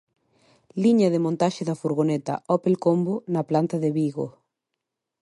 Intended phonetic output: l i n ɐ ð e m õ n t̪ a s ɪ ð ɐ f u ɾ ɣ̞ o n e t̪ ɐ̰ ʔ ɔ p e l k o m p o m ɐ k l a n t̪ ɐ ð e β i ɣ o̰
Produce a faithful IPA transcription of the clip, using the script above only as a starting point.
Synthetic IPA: l i ɲ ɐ ð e m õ n t̪ a ʃ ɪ ð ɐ f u ɾ ɣ̞ o n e t̪ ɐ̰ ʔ ɔ p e l k o m b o n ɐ p l a n t̪ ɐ ð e β i ɣ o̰